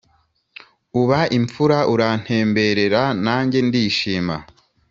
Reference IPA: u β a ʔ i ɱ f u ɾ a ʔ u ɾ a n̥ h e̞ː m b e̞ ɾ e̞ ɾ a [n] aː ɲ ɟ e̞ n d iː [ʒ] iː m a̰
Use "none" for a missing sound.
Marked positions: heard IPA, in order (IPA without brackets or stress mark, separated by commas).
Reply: n, ʃ